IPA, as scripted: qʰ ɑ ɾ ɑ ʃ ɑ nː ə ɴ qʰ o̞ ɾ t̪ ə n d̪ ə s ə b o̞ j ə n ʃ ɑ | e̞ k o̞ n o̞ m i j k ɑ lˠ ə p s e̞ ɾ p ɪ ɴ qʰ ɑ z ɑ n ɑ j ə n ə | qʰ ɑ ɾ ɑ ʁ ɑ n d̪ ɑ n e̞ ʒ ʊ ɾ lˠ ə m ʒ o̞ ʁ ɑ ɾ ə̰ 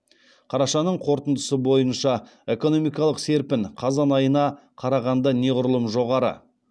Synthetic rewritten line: qʰ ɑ ɾ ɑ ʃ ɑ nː ə ɴ qʰ o̞ ɾ t̪ ə n d̪ ə s ə b o̞ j ə n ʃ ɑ | e̞ k o̞ n o̞ m i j k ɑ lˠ ə q s e̞ ɾ p ɪ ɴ qʰ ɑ z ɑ n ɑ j ə n ɑ | qʰ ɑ ɾ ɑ ʁ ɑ n d̪ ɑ n e̞ ʁ ʊ ɾ lˠ ə m ʒ o̞ ʁ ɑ ɾ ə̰